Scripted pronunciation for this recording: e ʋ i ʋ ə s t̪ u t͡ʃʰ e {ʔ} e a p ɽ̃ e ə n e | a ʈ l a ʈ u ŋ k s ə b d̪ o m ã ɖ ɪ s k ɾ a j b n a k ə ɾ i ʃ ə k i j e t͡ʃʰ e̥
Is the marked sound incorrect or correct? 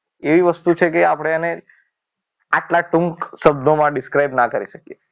incorrect